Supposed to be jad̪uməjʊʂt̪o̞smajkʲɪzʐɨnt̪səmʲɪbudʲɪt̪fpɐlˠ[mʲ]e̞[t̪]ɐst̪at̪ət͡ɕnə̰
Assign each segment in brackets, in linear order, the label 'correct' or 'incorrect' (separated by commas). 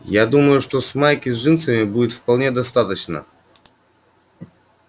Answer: incorrect, incorrect